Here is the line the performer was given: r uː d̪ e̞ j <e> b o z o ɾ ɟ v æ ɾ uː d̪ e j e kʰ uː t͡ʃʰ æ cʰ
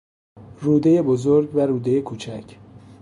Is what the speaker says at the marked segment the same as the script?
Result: yes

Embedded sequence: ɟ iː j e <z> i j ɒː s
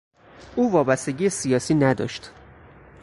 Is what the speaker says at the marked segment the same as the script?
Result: no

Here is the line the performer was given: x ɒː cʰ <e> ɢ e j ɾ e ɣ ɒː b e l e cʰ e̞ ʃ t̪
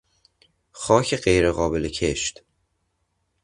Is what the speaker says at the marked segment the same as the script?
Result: yes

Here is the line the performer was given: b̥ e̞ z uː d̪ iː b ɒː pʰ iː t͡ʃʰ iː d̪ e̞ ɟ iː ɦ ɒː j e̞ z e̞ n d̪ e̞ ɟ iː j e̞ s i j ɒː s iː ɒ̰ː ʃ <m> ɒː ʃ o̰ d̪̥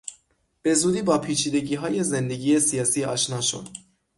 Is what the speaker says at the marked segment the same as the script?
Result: no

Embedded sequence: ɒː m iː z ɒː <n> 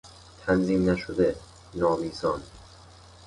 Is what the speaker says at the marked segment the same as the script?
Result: yes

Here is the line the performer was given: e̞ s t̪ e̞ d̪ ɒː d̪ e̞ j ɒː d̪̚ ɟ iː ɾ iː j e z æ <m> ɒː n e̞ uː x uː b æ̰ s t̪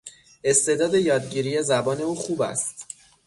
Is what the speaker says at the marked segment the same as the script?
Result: no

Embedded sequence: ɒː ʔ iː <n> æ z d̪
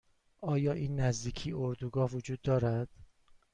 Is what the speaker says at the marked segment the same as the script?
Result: no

